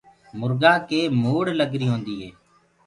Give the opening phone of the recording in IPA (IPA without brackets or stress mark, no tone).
m